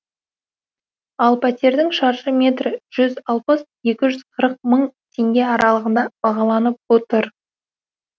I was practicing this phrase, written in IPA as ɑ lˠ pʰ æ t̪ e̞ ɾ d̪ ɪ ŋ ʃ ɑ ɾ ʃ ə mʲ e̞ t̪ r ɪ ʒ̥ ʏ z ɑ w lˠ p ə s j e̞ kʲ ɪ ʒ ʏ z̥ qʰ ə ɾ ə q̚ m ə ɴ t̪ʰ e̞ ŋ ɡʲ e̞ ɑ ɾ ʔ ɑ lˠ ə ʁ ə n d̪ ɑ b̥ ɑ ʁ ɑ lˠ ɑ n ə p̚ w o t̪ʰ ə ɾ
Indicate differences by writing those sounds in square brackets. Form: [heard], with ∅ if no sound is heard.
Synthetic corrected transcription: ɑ lˠ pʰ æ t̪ e̞ ɾ d̪ ɪ ŋ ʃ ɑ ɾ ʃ ə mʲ e̞ t̪ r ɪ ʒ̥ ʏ z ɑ [∅] lˠ p ə s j e̞ kʲ ɪ ʒ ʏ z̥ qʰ ə ɾ ə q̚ m ə ɴ t̪ʰ e̞ ŋ ɡʲ e̞ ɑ ɾ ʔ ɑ lˠ ə ʁ ə n d̪ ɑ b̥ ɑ ʁ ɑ lˠ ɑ n ə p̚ w o [t̪] ə ɾ